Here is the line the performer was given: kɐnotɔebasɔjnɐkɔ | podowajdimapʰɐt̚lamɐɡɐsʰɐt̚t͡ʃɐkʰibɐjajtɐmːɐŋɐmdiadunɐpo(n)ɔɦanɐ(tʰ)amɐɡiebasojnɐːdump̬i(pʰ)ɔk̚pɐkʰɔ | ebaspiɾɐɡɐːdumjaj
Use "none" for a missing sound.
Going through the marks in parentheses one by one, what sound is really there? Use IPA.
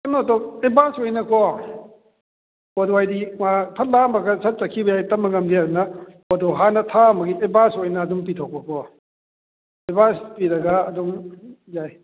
d, tʰ, tʰ

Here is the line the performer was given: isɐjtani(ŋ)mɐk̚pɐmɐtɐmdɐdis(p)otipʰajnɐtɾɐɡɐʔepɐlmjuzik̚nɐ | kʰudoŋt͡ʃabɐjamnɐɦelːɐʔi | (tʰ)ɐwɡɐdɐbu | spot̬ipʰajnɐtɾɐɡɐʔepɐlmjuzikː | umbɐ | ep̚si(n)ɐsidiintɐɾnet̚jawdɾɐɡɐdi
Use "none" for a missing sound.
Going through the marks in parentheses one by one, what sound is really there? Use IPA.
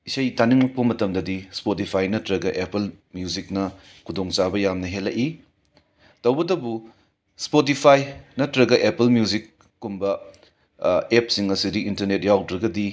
ŋ, p, t, ŋ

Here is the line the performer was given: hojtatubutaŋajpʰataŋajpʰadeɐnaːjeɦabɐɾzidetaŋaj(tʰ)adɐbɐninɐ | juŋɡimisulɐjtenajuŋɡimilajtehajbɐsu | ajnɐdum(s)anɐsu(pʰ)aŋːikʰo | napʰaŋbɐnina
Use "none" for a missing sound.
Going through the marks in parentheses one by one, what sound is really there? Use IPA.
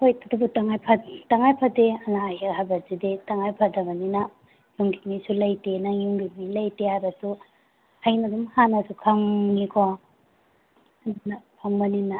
pʰ, h, kʰ

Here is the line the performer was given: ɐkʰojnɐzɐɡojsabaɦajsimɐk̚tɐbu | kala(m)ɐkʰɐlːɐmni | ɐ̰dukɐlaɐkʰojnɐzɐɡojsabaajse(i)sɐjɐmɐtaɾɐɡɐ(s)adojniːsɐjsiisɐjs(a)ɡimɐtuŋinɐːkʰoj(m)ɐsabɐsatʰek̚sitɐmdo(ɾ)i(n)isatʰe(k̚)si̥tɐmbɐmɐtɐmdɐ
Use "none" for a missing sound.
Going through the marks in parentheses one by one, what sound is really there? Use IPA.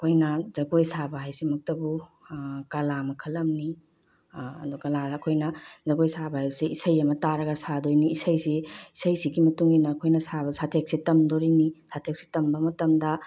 m, i, s, i, n, ɾ, n, k̚

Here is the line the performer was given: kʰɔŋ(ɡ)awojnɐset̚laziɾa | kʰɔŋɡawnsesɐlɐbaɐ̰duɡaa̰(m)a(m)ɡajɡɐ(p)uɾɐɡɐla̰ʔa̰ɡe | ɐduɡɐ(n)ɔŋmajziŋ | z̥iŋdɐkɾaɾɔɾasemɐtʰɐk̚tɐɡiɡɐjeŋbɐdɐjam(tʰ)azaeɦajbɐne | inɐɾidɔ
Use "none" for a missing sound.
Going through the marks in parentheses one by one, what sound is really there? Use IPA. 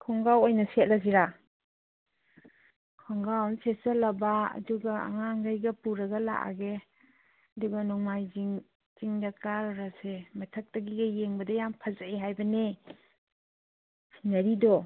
ɡ, ŋ, ŋ, p, n, pʰ

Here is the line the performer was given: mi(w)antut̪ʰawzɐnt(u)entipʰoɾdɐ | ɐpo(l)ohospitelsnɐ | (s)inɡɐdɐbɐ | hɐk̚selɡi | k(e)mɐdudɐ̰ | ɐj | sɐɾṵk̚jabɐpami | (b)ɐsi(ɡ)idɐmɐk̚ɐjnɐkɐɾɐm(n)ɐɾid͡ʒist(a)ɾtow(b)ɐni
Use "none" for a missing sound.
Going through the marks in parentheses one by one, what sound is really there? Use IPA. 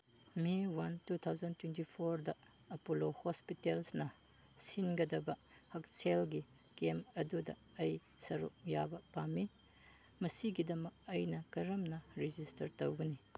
w, w, l, s, e, m, ɡ, n, ɐ, ɡ

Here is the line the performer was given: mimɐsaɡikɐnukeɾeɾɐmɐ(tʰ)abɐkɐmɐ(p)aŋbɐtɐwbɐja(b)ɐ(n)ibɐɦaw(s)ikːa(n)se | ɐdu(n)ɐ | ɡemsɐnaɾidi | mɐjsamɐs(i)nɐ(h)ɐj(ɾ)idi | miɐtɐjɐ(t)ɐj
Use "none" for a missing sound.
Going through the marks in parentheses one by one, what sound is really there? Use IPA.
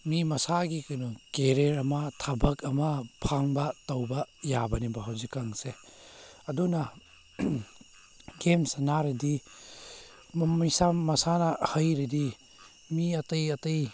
tʰ, pʰ, b, n, z, ŋ, n, a, h, ɾ, t

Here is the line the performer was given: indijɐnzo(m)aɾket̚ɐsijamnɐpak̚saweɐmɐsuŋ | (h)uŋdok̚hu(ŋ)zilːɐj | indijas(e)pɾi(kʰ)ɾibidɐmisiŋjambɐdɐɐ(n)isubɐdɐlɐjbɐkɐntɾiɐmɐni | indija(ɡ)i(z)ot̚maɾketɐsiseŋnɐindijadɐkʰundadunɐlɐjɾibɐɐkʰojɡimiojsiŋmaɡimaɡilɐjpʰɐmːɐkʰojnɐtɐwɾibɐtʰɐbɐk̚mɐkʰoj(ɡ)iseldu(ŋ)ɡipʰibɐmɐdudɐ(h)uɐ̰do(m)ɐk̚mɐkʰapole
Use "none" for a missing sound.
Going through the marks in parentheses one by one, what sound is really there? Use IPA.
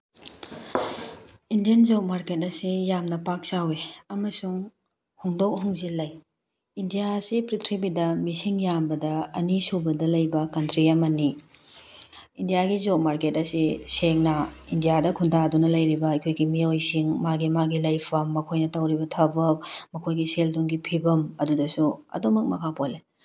m, h, ŋ, i, tʰ, n, ɡ, z, ɡ, ŋ, s, m

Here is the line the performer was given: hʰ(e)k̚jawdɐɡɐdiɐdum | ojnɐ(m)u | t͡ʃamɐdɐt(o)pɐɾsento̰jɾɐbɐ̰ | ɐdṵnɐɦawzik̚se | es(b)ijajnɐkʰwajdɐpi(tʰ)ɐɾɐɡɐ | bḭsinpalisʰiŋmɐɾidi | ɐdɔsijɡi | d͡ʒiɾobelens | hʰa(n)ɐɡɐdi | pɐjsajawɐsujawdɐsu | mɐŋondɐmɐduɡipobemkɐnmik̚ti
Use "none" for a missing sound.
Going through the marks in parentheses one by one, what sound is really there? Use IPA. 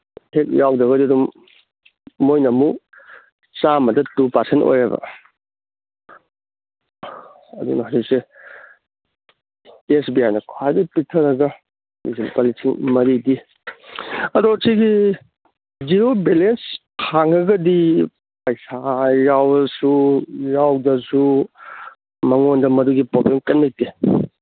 e, m, u, b, tʰ, ŋ

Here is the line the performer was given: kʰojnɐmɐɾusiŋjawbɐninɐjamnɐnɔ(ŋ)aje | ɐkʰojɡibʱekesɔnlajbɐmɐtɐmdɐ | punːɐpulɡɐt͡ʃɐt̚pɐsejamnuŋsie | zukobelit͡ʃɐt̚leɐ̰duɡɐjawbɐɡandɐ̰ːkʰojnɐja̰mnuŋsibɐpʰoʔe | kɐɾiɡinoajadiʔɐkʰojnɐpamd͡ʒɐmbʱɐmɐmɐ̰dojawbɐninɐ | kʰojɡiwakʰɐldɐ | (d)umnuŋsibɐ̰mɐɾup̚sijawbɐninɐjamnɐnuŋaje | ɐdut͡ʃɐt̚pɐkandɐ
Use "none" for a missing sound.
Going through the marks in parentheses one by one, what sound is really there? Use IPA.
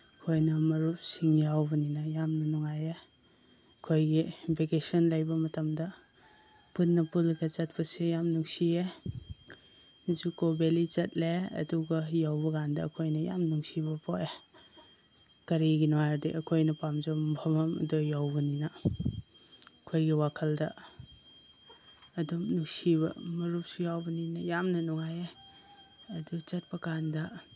ŋ, d

